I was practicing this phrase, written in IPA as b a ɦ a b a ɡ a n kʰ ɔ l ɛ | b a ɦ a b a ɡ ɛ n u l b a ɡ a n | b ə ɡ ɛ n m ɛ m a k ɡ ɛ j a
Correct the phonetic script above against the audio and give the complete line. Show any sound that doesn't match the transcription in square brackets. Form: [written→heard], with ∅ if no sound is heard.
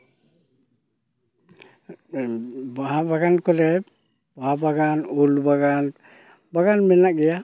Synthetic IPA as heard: b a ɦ a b a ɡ a n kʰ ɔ l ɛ | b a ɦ a b a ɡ [ɛ→a] n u l b a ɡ a n | b [ə→a] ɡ [ɛ→a] n m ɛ [m→n] a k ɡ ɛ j a